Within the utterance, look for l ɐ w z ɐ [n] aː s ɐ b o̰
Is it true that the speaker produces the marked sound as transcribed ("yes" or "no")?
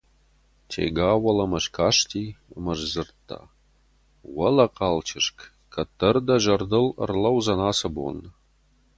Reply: yes